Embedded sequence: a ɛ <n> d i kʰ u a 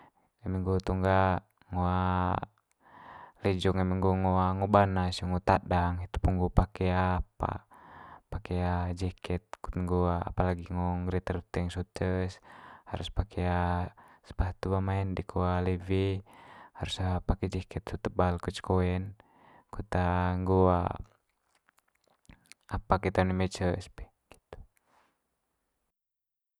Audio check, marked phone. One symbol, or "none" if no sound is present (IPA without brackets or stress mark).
n